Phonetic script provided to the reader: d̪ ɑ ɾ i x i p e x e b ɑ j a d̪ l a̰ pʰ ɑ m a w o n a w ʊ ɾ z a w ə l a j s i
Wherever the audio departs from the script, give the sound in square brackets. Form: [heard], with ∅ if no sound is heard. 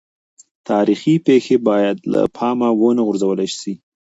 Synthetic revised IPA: [t̪] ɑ ɾ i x i p e x e b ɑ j a d̪ l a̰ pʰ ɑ m a w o n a [ɣ] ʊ ɾ z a w ə l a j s i